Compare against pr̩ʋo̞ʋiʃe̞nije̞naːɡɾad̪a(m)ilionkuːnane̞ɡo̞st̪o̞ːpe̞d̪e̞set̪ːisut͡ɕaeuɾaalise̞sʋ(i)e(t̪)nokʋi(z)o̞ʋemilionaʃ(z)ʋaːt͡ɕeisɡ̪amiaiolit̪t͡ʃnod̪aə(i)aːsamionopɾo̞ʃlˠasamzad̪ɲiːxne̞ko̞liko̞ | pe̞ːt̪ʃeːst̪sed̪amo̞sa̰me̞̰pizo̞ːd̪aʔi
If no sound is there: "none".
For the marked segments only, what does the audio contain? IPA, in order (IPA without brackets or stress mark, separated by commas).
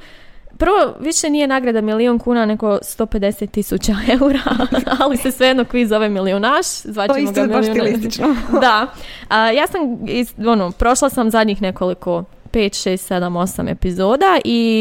m, e, d̪, z, z, j